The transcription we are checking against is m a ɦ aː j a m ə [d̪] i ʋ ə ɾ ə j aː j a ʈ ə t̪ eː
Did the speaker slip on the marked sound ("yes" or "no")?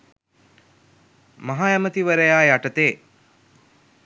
yes